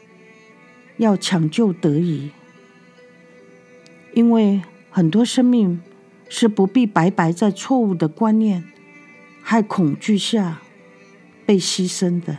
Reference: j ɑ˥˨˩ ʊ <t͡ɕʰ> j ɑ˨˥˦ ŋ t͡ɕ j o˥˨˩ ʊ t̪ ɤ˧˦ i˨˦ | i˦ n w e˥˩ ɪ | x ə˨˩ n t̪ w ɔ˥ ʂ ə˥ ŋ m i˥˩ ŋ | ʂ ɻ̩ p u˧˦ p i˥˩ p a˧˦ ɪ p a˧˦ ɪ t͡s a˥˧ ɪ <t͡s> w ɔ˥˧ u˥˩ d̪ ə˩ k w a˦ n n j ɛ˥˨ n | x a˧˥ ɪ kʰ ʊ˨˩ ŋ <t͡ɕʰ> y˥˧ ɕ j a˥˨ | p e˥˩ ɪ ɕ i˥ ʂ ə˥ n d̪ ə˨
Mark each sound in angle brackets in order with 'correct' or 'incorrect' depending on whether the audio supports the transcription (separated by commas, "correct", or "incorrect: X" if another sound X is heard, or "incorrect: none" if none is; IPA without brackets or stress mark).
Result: correct, incorrect: t͡sʰ, incorrect: t͡ɕ